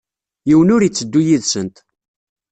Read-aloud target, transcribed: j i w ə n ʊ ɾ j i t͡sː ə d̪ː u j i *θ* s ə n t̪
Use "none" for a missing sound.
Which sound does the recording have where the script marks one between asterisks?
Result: ð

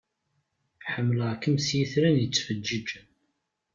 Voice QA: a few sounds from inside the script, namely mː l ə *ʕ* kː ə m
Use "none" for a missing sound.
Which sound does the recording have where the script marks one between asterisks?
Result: ʁ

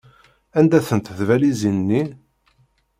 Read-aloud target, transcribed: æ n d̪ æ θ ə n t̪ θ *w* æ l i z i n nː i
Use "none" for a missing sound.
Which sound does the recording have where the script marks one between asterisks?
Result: v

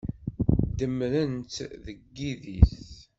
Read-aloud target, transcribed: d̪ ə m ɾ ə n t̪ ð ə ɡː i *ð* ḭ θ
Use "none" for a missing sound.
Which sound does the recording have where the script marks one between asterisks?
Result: ð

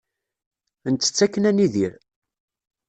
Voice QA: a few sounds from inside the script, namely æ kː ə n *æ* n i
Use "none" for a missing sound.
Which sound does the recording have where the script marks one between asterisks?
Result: æ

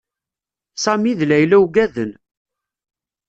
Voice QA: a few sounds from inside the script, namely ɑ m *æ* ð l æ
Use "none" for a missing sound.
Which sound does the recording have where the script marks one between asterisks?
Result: i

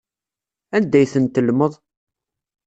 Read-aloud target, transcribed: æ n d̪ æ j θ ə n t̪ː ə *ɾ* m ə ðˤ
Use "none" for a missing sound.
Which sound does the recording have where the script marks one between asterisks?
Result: l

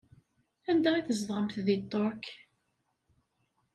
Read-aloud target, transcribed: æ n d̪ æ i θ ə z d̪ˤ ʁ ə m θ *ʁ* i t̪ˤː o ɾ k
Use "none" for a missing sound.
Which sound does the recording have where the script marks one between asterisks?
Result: ð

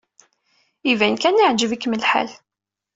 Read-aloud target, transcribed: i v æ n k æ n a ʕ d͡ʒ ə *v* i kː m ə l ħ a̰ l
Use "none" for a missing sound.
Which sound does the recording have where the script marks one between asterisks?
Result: v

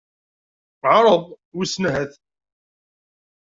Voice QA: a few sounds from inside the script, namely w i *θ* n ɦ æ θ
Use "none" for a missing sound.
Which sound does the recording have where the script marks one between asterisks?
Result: s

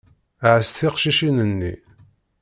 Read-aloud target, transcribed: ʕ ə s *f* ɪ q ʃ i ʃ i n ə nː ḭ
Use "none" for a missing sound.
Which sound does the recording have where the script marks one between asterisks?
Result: θ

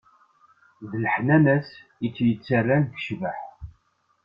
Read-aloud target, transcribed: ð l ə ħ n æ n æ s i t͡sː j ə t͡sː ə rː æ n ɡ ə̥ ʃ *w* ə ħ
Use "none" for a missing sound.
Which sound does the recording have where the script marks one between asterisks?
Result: v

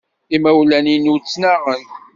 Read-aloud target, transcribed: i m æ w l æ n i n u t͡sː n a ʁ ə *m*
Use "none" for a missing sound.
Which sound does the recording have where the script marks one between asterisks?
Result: n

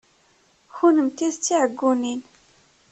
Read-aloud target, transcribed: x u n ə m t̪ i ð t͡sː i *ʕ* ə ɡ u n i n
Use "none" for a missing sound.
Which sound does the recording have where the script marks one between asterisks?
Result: ʕ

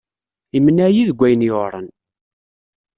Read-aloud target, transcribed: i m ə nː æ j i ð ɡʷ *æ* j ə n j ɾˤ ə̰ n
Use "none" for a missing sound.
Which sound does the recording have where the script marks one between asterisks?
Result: æ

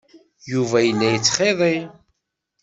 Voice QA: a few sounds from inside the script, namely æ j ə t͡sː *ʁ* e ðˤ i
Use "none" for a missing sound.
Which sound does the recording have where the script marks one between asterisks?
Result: χ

